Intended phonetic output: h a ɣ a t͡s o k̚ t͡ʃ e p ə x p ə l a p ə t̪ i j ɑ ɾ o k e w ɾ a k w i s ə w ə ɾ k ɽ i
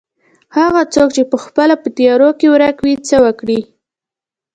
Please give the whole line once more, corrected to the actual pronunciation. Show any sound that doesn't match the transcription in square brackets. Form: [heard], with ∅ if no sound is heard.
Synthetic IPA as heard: h a ɣ a t͡s o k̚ t͡ʃ e p ə x p ə l a p ə t̪ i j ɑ ɾ o k e w ɾ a k w i [t͡s] ə w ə [∅] k ɽ i